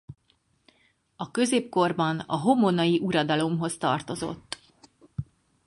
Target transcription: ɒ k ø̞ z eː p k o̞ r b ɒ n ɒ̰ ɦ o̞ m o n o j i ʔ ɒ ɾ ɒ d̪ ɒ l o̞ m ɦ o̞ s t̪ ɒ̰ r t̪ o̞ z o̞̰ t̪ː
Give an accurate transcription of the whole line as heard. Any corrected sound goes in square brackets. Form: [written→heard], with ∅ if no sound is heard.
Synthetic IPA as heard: ɒ k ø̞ z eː p k o̞ r b ɒ n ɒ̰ ɦ o̞ m o n [o→ɒ] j i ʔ [ɒ→u] ɾ ɒ d̪ ɒ l o̞ m ɦ o̞ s t̪ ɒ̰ r t̪ o̞ z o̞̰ t̪ː